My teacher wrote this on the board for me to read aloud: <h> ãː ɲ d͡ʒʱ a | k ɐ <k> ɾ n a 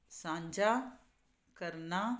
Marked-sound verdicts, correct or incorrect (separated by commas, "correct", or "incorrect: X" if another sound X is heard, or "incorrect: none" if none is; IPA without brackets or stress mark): incorrect: s, incorrect: none